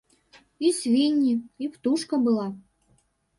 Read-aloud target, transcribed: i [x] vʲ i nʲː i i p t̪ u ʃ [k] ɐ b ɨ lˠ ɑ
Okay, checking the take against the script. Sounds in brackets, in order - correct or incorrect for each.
incorrect: s, correct

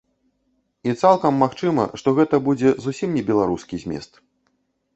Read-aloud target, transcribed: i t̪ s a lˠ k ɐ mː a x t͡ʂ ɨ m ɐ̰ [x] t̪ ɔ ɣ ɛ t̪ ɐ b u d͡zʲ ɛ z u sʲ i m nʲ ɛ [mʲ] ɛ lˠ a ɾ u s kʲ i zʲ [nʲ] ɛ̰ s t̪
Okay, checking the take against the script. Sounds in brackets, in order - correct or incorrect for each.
incorrect: ʂ, incorrect: bʲ, incorrect: mʲ

